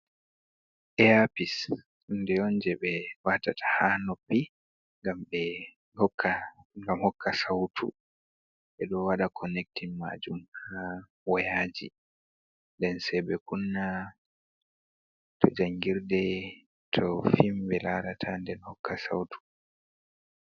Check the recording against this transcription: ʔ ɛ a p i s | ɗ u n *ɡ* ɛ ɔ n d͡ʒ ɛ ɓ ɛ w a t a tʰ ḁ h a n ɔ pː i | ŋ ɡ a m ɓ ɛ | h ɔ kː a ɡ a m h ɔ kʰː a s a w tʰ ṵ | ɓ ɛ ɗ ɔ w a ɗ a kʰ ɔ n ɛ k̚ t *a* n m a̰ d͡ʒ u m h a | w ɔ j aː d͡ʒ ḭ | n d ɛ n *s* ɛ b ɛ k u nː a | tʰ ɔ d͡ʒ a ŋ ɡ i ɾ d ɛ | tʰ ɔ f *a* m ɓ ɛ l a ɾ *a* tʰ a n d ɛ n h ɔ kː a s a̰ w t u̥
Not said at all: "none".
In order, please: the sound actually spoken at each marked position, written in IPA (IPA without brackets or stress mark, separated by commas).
d, i, s, i, a